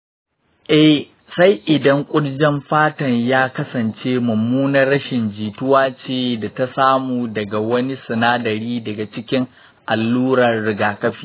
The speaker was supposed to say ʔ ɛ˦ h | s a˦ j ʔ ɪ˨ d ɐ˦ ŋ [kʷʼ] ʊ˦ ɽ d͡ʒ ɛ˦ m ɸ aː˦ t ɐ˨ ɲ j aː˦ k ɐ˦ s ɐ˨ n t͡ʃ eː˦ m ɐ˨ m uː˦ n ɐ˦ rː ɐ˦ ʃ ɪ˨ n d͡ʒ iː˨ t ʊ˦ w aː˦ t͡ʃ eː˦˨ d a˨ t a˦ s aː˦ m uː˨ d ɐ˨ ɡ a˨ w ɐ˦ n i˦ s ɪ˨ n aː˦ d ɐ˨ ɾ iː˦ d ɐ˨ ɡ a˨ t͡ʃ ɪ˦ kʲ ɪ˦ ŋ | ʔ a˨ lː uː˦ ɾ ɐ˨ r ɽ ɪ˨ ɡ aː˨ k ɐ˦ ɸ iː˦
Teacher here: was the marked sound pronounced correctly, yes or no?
yes